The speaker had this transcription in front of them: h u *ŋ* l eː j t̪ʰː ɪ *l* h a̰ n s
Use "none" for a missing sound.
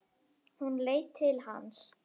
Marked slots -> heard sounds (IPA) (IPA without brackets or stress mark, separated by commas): n, l